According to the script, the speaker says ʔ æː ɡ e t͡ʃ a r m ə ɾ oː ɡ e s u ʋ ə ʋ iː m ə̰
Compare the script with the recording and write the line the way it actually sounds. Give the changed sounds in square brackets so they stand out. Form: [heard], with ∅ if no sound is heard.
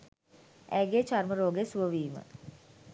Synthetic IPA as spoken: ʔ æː ɡ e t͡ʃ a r m ə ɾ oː ɡ e s u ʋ ə ʋ iː m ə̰